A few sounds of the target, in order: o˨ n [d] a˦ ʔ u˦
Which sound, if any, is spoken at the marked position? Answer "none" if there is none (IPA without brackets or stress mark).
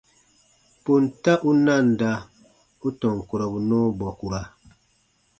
t